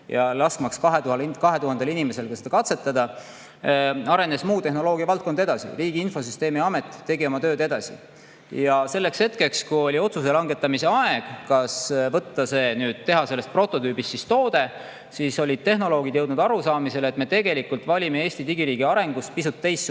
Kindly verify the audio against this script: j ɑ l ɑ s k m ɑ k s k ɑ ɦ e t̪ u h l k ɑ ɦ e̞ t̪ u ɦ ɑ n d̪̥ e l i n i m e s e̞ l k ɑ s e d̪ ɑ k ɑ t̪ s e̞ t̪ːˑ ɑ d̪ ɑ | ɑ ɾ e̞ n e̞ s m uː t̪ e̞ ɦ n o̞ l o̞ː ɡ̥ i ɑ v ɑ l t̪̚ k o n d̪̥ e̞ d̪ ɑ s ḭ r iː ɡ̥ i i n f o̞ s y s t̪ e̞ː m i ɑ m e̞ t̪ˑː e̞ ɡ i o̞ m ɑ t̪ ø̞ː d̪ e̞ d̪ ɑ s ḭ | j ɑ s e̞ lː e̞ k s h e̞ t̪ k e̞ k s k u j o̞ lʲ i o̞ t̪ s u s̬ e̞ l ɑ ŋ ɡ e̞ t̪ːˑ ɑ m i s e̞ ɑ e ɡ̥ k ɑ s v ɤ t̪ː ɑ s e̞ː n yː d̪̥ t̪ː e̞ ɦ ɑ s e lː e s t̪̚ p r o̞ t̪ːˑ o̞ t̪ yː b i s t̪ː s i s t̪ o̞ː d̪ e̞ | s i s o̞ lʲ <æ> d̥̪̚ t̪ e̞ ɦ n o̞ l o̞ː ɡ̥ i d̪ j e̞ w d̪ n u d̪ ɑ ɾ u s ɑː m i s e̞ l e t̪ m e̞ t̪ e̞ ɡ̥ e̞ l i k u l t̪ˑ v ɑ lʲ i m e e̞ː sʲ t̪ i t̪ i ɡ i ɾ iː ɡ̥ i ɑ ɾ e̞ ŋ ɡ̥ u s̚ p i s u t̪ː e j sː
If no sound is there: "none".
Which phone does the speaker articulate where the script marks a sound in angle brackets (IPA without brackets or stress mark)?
i